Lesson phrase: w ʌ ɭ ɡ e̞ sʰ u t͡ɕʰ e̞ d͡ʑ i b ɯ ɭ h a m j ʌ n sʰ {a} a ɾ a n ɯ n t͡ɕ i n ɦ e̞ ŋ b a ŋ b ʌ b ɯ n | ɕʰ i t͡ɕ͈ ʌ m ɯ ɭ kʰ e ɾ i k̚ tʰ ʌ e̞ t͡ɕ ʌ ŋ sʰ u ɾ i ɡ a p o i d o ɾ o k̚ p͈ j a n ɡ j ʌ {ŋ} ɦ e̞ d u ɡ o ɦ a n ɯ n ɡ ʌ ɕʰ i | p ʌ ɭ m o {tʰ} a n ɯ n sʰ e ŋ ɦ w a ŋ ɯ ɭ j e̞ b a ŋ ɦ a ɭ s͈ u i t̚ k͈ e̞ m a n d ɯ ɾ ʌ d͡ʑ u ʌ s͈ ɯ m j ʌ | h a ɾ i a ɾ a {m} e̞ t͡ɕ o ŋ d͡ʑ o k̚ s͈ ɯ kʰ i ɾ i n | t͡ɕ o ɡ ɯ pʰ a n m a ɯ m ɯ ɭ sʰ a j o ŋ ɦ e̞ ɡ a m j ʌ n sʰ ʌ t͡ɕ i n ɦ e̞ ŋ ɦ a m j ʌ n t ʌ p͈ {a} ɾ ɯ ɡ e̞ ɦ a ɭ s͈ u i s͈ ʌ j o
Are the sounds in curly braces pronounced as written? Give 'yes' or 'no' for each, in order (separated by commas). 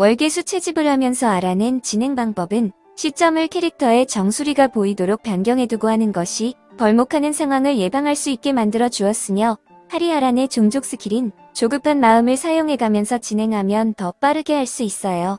no, yes, no, no, yes